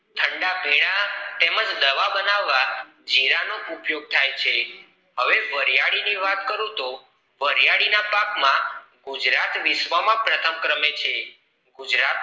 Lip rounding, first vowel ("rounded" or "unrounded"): unrounded